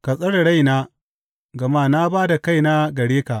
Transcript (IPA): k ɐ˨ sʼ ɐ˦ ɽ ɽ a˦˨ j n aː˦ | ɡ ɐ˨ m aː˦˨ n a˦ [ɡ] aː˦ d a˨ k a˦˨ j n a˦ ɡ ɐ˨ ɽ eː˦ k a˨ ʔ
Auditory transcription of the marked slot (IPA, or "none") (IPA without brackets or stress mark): b